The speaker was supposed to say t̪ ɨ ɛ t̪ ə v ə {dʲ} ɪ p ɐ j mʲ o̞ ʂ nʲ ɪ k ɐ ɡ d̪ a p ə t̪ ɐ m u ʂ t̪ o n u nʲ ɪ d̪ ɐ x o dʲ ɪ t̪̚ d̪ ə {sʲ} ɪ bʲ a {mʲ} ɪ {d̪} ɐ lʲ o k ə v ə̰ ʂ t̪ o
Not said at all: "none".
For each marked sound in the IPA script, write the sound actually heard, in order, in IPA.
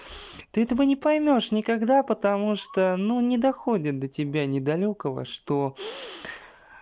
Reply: nʲ, tʲ, nʲ, d̪

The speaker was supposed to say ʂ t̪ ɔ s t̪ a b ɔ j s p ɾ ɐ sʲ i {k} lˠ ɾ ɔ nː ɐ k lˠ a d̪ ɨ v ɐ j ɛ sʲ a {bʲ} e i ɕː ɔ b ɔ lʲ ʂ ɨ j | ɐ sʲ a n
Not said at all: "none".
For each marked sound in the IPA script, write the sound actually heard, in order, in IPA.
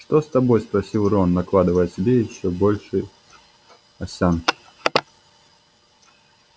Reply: none, bʲ

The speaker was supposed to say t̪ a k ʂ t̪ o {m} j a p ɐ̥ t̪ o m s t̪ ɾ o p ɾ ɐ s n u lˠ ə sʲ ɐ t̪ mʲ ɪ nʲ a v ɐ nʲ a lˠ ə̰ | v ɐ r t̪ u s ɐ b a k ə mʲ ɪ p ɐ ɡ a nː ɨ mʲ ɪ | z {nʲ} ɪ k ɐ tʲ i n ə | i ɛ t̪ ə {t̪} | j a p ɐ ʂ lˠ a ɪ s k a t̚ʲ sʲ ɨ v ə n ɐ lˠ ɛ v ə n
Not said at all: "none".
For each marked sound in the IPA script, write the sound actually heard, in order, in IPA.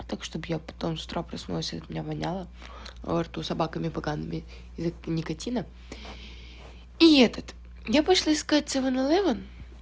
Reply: b, nʲ, t̪

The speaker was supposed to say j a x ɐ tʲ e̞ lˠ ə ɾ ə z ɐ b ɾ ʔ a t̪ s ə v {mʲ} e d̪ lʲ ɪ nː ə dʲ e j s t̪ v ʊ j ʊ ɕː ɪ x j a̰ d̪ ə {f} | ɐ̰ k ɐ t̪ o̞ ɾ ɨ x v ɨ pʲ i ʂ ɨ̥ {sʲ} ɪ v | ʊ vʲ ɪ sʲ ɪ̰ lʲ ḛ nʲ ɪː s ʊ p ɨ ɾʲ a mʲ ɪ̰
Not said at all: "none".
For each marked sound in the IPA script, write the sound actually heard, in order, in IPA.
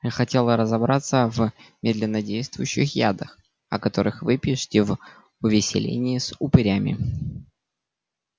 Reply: mʲ, x, tʲ

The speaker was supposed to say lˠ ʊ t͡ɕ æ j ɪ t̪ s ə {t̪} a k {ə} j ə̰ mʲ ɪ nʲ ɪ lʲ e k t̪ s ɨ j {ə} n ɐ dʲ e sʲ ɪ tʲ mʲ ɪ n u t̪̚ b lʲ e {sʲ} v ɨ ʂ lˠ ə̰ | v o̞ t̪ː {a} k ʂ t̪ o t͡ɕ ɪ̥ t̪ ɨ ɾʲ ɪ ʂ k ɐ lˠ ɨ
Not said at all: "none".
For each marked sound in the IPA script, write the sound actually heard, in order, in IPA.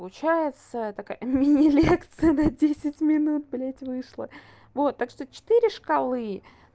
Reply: t̪, a, ə, tʲ, a

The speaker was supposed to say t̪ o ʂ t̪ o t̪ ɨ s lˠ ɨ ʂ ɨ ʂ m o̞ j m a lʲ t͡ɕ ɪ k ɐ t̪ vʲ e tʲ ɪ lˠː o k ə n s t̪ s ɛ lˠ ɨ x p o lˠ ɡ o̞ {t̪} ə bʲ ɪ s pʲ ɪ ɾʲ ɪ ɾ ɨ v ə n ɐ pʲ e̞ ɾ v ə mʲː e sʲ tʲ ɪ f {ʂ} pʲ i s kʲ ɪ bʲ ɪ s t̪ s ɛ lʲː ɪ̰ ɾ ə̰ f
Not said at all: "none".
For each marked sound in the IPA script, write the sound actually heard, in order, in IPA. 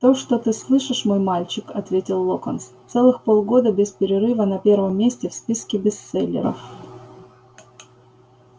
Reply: d̪, s

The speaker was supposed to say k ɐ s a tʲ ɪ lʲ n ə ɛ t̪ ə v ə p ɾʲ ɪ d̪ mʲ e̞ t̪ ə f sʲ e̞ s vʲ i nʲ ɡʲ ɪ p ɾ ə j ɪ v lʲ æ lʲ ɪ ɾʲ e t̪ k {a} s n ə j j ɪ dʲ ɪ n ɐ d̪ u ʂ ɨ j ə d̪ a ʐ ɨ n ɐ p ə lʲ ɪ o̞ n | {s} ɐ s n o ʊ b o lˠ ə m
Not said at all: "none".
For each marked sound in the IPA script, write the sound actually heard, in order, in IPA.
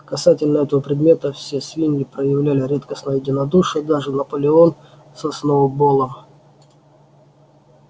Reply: ə, s

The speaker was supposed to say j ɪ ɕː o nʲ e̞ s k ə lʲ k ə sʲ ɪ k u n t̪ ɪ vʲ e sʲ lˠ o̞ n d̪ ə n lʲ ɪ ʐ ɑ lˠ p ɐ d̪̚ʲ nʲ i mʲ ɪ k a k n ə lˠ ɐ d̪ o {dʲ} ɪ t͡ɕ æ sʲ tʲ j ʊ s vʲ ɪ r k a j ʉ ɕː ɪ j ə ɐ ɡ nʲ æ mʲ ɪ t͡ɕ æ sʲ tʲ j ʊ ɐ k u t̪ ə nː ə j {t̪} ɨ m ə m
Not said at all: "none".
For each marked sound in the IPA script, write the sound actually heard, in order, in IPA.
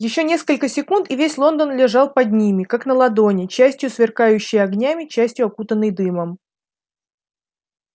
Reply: nʲ, d̪

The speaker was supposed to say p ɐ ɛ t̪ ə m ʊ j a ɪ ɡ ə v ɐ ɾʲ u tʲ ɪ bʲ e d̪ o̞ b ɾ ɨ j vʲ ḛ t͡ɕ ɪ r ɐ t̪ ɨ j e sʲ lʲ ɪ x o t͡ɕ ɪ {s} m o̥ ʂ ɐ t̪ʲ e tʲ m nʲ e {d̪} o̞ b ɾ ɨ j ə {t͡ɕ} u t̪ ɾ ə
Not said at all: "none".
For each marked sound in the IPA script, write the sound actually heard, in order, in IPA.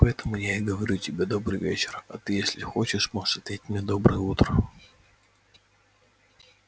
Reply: ʂ, d̪, none

